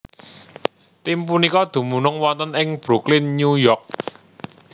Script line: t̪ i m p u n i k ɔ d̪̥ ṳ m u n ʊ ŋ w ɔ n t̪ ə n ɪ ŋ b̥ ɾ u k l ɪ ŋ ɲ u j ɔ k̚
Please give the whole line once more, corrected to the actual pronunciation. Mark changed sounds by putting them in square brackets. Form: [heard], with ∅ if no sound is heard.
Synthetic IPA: t̪ i m p u n i k ɔ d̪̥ ṳ m u n ʊ ŋ w ɔ n t̪ ə n ɪ ŋ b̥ ɾ u k l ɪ [n] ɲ u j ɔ k̚